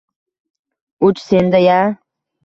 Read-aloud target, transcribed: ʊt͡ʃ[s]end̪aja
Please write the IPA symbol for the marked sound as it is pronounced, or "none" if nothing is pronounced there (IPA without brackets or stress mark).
s